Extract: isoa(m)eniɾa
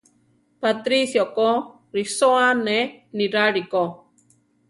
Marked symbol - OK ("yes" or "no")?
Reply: no